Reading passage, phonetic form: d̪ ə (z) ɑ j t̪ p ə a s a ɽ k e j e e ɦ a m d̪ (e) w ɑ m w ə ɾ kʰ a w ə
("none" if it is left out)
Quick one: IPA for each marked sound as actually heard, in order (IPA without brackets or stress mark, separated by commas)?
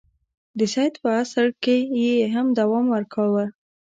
s, a